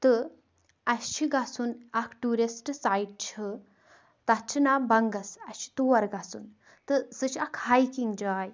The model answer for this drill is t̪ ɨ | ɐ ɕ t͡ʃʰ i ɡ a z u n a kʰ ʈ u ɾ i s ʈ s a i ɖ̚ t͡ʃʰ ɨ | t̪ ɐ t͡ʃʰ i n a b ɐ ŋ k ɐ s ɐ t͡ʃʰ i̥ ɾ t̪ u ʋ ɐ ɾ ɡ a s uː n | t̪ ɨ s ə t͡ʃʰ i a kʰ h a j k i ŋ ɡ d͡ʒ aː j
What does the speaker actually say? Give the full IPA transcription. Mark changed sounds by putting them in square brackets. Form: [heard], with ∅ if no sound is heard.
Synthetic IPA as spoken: t̪ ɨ | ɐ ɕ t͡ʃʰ i ɡ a [s] u n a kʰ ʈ u ɾ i s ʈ s a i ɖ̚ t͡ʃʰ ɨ | t̪ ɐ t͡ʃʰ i n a b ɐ ŋ [ɡ] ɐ s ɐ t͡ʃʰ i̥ [∅] t̪ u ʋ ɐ ɾ ɡ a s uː n | t̪ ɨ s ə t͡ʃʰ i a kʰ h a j k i ŋ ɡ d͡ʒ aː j